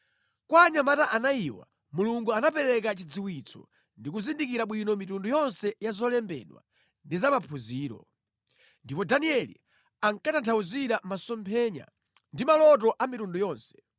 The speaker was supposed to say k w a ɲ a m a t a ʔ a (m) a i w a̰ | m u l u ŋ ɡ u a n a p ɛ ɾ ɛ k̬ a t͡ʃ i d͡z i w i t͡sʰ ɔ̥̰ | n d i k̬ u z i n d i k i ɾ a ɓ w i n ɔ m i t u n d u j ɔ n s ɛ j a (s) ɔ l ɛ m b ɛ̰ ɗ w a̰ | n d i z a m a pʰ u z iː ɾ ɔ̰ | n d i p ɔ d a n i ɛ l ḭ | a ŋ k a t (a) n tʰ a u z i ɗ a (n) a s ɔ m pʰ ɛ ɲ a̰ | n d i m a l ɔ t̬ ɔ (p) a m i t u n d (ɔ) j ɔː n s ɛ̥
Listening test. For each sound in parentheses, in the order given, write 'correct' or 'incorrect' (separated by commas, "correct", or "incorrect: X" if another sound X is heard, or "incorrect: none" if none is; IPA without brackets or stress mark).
incorrect: n, incorrect: z, correct, incorrect: m, incorrect: ʔ, incorrect: u